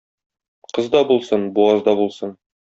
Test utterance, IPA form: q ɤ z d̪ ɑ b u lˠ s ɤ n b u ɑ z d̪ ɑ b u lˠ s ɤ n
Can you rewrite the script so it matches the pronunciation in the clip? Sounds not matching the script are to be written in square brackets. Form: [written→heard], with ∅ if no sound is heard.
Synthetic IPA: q ɤ z d̪ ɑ b u lˠ s ɤ n b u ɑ z d̪ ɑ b u lˠ s ɤ n